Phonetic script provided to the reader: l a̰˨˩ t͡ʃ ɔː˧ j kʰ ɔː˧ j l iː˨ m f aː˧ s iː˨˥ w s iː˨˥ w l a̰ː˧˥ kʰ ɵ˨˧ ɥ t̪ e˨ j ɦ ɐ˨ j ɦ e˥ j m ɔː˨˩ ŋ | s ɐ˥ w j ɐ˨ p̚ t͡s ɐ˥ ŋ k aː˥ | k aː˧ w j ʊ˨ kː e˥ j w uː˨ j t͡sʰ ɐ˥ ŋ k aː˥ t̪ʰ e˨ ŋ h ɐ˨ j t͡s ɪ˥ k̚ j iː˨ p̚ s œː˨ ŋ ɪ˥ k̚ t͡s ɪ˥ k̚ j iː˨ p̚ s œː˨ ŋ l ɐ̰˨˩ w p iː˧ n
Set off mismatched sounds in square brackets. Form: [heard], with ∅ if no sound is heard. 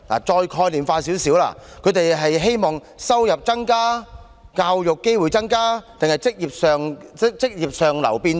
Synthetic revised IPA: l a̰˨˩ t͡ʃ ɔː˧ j kʰ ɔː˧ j l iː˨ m f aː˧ s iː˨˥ w s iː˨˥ w l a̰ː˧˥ kʰ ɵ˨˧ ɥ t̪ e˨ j ɦ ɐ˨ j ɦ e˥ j m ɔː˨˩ ŋ | s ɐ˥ w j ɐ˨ p̚ t͡s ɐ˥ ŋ k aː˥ | k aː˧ w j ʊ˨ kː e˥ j w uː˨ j [t͡s] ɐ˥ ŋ k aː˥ [t̪] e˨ ŋ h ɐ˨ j t͡s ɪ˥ k̚ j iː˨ p̚ s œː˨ ŋ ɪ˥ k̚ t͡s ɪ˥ k̚ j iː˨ p̚ s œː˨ ŋ l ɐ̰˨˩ w p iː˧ n